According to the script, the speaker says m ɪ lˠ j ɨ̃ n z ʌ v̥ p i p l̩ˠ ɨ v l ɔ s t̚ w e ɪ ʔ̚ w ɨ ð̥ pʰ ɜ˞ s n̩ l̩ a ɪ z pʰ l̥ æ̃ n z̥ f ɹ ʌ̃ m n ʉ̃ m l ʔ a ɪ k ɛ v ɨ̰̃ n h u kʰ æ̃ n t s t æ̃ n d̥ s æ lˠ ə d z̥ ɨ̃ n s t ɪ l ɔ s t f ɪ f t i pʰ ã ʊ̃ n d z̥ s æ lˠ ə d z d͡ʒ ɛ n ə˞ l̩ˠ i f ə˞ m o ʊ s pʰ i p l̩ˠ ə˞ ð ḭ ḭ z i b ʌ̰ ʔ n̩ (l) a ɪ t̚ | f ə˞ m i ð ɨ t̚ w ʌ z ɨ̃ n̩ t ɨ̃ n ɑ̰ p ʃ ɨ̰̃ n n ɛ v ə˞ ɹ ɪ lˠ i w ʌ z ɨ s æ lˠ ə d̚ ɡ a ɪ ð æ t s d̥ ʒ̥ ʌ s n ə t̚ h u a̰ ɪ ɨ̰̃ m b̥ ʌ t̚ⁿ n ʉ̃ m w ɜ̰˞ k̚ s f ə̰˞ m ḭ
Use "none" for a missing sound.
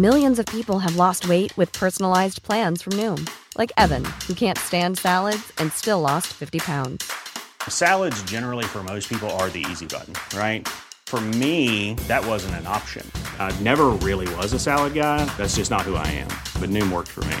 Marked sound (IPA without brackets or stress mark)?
ɹ